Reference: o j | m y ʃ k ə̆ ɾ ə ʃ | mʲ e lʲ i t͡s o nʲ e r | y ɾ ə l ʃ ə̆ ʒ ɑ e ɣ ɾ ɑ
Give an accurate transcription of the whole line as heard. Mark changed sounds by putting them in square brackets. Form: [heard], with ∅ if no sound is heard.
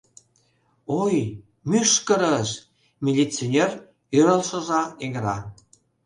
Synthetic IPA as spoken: o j | m y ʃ k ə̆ ɾ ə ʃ | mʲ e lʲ i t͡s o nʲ e r | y ɾ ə l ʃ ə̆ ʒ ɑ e ɣ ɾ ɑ